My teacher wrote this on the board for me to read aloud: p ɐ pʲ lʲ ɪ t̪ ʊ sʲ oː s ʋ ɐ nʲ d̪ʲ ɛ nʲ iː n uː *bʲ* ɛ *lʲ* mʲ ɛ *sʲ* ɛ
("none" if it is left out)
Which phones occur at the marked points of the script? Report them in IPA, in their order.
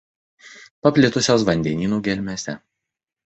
ɡʲ, lʲ, sʲ

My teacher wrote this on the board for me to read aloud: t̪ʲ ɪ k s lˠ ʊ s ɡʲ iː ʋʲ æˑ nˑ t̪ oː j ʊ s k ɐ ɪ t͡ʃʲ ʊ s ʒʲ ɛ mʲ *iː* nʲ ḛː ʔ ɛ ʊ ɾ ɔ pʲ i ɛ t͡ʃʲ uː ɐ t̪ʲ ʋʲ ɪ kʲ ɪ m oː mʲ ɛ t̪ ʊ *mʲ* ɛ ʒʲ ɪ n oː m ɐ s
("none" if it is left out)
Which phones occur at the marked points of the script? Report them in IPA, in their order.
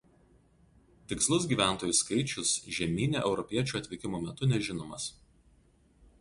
iː, nʲ

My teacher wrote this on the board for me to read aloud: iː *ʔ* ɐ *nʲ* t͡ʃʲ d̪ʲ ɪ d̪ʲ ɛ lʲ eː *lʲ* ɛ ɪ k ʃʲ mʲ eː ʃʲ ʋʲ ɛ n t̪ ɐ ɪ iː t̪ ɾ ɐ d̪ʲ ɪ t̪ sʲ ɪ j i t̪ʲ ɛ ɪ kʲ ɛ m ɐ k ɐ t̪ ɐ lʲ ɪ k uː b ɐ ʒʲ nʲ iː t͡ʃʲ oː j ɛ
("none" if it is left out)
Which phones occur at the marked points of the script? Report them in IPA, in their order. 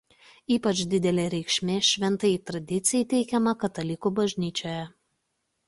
p, none, ɾʲ

